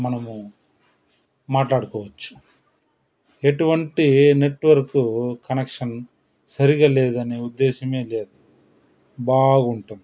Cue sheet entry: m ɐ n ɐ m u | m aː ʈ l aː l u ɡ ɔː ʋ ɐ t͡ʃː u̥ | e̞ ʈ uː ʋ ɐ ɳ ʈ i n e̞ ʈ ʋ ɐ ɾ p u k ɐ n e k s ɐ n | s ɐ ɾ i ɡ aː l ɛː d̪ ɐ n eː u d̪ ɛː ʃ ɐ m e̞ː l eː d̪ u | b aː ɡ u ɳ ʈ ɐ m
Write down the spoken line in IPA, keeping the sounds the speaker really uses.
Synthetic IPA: m ɐ n ɐ m u | m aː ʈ l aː ɽ u k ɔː ʋ ɐ t͡ʃː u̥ | e̞ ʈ u ʋ ɐ ɳ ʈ i n e̞ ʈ ʋ ɐ ɾ k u k ɐ n e k ʂ ɐ n | s ɐ ɾ i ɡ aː l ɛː d̪ ɐ n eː u d̪ː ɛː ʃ ɐ m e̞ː l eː d̪ u | b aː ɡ u ɳ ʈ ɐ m

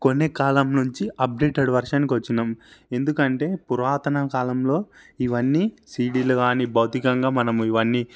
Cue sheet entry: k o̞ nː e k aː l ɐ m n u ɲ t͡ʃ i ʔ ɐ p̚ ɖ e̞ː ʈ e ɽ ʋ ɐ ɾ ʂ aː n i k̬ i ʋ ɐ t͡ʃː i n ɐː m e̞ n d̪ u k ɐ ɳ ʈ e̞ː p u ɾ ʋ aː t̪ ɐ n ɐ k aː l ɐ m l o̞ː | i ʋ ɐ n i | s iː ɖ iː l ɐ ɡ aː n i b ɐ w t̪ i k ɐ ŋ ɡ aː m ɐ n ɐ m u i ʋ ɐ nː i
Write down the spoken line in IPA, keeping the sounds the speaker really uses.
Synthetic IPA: k o̞ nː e k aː l ɐ m n u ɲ t͡ʃ i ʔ ɐ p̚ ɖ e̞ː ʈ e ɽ ʋ ɐ ɾ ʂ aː n i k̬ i ʋ ɐ t͡ʃː i n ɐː m e̞ n d̪ u k ɐ ɳ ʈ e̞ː p u ɾ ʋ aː t̪ ɐ n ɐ k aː l ɐ m l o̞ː | i ʋ ɐ nː i | s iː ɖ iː l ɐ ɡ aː n i b ɐ w t̪ i k ɐ ŋ ɡ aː m ɐ n ɐ m u i ʋ ɐ nː i

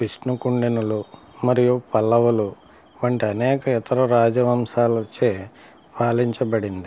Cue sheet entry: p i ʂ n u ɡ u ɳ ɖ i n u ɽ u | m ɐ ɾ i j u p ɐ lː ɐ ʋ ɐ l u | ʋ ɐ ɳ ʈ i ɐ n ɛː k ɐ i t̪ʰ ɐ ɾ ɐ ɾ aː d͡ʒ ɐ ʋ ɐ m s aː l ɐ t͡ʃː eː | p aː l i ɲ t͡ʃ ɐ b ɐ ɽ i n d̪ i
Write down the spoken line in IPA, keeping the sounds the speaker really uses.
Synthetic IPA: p i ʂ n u k u ɳ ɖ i n u l u | m ɐ ɾ i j u p ɐ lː ɐ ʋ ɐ l u | ʋ ɐ ɳ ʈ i ɐ n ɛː k ɐ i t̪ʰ ɐ ɾ ɐ ɾ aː d͡ʒ ɐ ʋ ɐ m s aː l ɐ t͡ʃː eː | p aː l i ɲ t͡ʃ ɐ b ɐ ɽ i n d̪ i

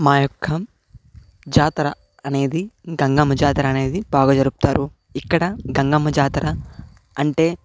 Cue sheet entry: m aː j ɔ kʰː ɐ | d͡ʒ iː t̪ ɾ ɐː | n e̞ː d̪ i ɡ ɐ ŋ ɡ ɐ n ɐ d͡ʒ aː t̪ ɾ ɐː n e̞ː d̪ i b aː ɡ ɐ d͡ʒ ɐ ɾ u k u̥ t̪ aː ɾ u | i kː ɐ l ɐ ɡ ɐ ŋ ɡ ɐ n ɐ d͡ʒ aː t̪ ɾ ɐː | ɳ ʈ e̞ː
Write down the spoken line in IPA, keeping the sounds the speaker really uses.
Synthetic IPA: m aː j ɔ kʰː ɐ | d͡ʒ aː t̪ ɾ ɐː | n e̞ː d̪ i ɡ ɐ ŋ ɡ ɐ m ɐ d͡ʒ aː t̪ ɾ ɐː n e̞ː d̪ i b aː ɡ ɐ d͡ʒ ɐ ɾ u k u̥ t̪ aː ɾ u | i kː ɐ ɽ ɐ ɡ ɐ ŋ ɡ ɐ m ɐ d͡ʒ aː t̪ ɾ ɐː | ɳ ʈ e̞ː

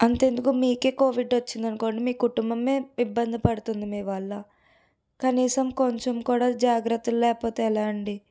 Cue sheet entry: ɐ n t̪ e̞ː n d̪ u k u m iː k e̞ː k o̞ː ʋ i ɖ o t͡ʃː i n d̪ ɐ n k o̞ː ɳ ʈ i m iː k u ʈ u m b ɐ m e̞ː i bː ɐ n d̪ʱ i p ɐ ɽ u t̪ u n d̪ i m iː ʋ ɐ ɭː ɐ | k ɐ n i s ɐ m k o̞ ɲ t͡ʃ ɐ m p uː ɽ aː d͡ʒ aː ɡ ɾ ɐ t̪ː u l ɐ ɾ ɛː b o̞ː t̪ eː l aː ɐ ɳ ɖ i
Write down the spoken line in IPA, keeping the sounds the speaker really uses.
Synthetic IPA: ɐ n t̪ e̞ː n d̪ u k u m iː k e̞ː k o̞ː ʋ i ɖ o t͡ʃː i n d̪ ɐ n k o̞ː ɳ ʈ i m iː k u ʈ u m b ɐ m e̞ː i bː ɐ n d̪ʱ i p ɐ ɽ u t̪ u n d̪ i m iː ʋ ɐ ɭː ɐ | k ɐ n iː s ɐ m k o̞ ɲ t͡ʃ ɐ m k uː ɽ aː d͡ʒ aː ɡ ɾ ɐ t̪ː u l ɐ l ɛː p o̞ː t̪ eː l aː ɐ ɳ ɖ i

